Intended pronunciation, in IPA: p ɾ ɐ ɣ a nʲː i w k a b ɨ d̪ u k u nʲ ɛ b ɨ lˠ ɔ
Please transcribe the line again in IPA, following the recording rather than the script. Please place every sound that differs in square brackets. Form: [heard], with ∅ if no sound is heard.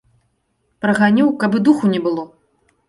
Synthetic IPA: p ɾ ɐ ɣ a [nʲ] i w k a b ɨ d̪ u [x] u nʲ ɛ b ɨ lˠ ɔ